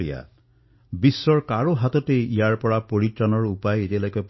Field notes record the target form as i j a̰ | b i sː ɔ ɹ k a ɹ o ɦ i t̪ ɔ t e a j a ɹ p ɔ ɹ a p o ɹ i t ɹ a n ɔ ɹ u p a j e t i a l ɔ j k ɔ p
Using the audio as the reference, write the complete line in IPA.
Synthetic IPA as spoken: i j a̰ | b i sː ɔ ɹ k a ɹ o ɦ a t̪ ɔ t e i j a ɹ p ɔ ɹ a p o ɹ i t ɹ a n ɔ ɹ u p a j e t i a l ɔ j k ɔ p

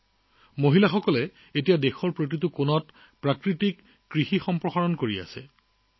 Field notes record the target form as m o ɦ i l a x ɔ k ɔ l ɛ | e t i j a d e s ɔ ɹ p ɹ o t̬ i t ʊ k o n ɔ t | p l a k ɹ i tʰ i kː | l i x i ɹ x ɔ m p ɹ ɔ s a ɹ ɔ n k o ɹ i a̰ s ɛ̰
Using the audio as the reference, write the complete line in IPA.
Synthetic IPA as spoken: m o ɦ i l a x ɔ k ɔ l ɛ | e t i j a d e x ɔ ɹ p ɹ o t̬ i t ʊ k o n ɔ t | p ɹ a k ɹ i t i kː | ɹ i x i x ɔ m p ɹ ɔ x a ɹ ɔ n k o ɹ i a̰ s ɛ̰

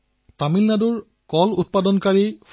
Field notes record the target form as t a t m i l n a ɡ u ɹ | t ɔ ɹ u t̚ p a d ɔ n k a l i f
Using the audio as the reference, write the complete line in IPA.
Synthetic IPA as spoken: t a m i l n a d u ɹ | k ɔ l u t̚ p a d ɔ n k a ɹ i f

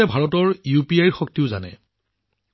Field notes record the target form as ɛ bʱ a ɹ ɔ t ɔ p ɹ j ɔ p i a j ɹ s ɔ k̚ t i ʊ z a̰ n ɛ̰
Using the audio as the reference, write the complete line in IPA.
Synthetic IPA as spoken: ɛ bʱ a ɹ ɔ t ɔ ɹ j u p i a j ɹ x ɔ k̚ t i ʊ z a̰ n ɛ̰

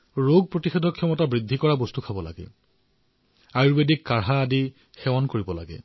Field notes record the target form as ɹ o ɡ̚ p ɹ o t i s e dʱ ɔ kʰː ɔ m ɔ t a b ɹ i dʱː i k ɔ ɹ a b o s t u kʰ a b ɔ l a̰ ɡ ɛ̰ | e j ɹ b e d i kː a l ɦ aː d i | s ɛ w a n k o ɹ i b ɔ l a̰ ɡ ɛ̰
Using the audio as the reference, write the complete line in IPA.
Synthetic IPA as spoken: ɹ o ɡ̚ p ɹ o t i x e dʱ ɔ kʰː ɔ m ɔ t a b ɹ i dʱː i k ɔ ɹ a b o s t u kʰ a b ɔ l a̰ ɡ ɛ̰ | a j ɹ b e d i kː a ɹ ɦ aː d i | x ɛ w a n k o ɹ i b ɔ l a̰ ɡ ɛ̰

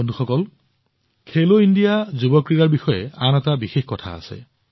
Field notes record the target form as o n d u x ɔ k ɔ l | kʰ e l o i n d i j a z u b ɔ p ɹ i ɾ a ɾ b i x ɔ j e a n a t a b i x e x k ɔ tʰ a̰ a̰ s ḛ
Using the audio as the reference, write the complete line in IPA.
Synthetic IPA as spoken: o n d u x ɔ k ɔ l | kʰ e l o i n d i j a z u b ɔ k ɹ i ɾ a ɹ b i x ɔ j e a n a t a b i x e x k ɔ tʰ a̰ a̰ s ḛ

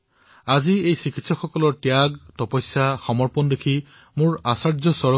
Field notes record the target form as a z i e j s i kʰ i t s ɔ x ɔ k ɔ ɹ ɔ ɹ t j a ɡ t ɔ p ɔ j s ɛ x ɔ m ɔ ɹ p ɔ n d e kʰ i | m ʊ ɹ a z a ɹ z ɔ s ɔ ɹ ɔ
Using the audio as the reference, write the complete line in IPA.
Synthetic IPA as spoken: a z i e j s i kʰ i t s ɔ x ɔ k ɔ l ɔ ɹ t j a ɡ t ɔ p ɔ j s a x ɔ m ɔ ɹ p ɔ n d e kʰ i | m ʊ ɹ a s a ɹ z ɔ s ɔ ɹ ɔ

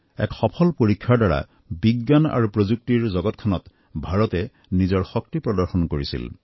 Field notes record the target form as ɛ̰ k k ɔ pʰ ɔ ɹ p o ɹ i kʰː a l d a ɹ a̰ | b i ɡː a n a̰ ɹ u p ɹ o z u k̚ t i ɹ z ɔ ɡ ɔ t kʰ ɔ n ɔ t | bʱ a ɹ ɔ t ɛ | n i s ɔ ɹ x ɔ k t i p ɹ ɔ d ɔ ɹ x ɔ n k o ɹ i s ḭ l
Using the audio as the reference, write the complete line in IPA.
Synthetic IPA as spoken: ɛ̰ k x ɔ pʰ ɔ l p o ɹ i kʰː a ɹ d a ɹ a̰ | b i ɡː a n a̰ ɹ u p ɹ o z u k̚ t i ɹ z ɔ ɡ ɔ t kʰ ɔ n ɔ t | bʱ a ɹ ɔ t ɛ | n i z ɔ ɹ x ɔ k t i p ɹ ɔ d ɔ ɹ x ɔ n k o ɹ i s ḭ l

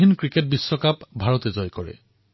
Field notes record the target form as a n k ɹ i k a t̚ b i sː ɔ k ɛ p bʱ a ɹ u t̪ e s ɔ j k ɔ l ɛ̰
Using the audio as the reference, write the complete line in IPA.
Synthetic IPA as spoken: i n k ɹ i k e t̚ b i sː ɔ k a p bʱ a ɹ ɔ t̪ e z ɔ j k ɔ ɹ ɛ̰

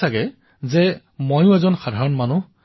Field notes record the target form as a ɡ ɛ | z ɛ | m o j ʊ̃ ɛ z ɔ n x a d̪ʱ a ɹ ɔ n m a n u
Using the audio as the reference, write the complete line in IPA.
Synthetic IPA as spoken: a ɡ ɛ | z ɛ | m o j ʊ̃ ɛ z ɔ n x a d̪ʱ a ɹ ɔ n m a n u

